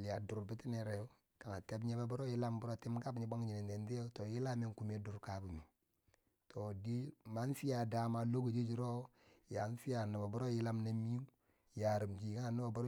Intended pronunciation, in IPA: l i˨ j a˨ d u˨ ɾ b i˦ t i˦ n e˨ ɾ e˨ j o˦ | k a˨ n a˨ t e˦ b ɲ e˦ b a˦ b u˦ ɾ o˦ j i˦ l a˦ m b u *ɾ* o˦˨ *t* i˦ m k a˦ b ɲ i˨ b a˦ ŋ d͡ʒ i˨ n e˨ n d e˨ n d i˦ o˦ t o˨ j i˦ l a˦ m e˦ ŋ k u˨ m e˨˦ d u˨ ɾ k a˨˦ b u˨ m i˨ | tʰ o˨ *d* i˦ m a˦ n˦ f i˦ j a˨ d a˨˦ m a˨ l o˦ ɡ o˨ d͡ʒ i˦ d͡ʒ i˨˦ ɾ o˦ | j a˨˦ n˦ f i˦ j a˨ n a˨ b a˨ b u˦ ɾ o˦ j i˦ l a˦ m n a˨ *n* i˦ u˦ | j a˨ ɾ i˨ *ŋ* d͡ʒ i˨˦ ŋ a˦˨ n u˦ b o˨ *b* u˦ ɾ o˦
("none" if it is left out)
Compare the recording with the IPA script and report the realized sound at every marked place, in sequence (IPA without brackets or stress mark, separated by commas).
ɾ, t, d, m, m, b